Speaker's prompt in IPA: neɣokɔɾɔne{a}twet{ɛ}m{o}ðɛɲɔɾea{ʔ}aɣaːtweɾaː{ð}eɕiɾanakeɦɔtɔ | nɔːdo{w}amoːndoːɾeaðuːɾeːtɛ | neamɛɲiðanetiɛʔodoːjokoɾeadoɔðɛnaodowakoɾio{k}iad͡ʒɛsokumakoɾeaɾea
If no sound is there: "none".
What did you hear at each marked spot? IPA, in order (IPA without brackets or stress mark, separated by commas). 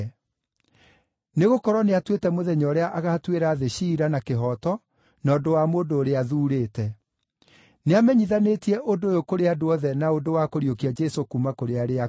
a, ɛ, o, ʔ, ð, w, k